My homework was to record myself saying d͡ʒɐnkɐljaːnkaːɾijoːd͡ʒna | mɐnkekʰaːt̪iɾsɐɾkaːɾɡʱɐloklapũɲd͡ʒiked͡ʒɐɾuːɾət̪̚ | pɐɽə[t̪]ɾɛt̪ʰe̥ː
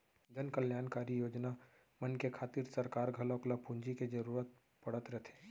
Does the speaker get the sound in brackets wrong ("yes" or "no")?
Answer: no